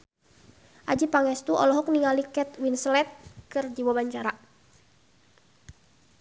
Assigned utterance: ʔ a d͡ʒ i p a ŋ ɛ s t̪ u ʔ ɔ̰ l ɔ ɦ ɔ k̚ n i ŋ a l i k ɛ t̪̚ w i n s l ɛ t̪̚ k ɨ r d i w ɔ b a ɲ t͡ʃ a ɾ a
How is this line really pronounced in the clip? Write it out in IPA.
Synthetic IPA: ʔ a d͡ʒ i p a ŋ ɛ s t̪ u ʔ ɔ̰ l ɔ ɦ ɔ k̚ n i ŋ a l i k ɛ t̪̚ w i n s l ɛ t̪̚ k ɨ r d͡ʒ i w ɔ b a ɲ t͡ʃ a ɾ a